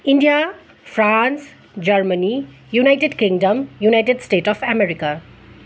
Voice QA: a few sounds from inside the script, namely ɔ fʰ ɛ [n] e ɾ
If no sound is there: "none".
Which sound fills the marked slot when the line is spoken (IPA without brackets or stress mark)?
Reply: m